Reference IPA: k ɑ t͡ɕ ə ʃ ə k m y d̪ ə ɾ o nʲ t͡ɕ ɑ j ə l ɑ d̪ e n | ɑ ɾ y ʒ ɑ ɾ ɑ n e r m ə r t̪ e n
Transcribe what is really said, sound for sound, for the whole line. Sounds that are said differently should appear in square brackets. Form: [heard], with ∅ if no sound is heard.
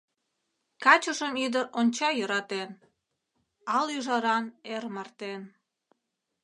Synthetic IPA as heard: k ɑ t͡ɕ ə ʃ ə [∅] m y d̪ ə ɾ o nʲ t͡ɕ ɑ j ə [ɾ] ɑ [t̪] e n | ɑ [l] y ʒ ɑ ɾ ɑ n e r m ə r t̪ e n